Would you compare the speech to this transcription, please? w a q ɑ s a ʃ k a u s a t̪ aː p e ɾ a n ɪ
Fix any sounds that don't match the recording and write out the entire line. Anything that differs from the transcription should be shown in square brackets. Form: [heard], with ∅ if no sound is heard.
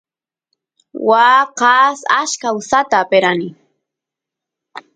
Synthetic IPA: w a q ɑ s a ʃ k a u s a t̪ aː p e ɾ a n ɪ